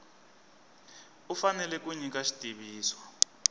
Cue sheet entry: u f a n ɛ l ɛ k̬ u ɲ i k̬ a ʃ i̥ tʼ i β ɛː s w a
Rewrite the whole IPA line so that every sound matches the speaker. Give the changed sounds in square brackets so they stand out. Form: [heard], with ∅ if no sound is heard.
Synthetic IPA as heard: u f a n ɛ l ɛ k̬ u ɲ i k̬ a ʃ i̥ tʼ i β [iː] s w a